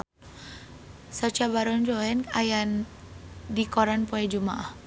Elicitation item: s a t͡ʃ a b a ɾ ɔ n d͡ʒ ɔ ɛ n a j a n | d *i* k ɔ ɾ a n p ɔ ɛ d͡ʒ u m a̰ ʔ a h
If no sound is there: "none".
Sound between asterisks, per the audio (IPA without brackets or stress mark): i